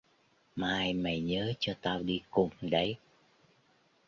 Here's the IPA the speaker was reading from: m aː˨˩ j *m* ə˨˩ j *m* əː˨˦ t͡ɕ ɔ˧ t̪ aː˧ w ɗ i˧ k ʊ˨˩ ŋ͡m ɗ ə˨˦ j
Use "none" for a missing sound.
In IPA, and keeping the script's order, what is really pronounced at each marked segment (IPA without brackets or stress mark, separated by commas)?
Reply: m, ɲ